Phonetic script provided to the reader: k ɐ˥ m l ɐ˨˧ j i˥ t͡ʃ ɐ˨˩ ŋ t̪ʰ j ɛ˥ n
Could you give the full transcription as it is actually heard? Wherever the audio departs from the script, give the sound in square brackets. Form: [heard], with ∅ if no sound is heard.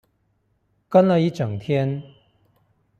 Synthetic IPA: k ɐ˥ [n] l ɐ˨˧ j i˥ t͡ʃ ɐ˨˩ ŋ t̪ʰ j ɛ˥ n